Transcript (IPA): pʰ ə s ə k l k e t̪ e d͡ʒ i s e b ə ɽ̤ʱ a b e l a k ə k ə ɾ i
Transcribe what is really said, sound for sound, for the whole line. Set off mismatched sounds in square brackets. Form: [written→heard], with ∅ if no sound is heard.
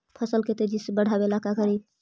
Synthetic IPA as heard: pʰ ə s ə [k→∅] l k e t̪ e d͡ʒ i s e b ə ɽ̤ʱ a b e l a k [ə→a] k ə ɾ i